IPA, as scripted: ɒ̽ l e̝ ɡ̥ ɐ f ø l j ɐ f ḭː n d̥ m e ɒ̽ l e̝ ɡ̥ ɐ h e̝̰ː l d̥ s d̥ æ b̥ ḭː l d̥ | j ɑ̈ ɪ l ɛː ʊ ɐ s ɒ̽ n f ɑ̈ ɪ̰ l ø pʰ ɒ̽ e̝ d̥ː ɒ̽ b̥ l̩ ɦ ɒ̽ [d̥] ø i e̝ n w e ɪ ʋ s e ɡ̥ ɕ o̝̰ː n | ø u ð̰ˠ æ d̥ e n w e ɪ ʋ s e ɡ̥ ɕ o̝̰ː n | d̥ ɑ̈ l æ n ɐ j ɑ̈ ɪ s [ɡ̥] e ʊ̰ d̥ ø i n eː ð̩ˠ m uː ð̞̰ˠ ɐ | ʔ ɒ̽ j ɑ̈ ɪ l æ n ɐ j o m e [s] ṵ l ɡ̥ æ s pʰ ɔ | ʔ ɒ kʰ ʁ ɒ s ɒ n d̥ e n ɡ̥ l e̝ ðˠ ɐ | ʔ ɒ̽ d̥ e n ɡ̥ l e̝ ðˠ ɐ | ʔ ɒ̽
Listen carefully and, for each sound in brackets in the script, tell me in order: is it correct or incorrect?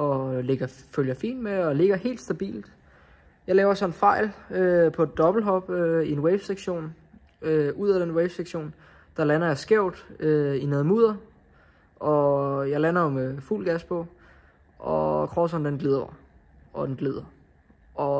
incorrect: b̥, correct, incorrect: f

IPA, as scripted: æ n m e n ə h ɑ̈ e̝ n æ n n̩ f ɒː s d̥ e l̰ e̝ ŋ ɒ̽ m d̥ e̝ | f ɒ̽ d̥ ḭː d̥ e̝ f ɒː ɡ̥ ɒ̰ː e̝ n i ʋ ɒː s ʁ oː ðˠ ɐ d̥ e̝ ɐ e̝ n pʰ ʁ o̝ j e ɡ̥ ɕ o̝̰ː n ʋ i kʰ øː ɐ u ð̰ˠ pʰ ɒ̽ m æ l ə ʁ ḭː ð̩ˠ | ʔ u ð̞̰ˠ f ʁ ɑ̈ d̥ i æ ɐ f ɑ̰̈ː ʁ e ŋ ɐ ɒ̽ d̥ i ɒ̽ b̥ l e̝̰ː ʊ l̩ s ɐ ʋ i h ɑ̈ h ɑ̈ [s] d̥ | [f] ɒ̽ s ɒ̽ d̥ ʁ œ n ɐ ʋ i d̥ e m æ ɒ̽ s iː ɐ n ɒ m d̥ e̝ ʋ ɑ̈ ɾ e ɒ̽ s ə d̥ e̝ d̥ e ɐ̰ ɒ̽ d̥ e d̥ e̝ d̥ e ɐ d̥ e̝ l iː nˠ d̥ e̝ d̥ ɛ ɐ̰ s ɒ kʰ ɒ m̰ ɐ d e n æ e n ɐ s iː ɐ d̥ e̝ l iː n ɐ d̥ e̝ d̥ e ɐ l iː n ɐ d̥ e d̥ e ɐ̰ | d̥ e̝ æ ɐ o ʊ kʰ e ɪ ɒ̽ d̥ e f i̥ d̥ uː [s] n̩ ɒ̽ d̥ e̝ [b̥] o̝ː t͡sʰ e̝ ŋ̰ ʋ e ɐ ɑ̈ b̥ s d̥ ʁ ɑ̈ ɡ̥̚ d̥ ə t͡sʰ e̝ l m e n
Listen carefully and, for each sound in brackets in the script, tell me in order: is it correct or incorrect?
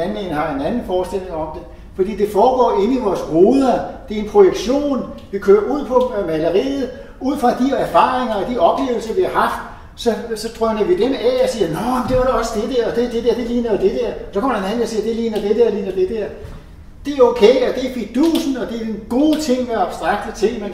incorrect: f, incorrect: s, correct, incorrect: ɡ̥

